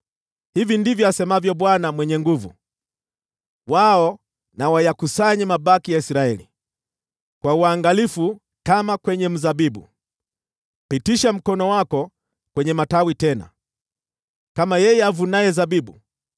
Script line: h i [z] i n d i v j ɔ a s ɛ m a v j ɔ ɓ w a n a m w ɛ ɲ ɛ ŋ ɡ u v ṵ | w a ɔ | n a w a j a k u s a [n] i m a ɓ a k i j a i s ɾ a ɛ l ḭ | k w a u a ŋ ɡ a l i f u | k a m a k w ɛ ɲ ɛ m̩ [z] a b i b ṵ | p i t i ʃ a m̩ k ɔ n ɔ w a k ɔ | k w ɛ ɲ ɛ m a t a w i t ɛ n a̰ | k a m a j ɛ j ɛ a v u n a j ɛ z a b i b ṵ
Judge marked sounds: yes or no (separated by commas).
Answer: no, no, yes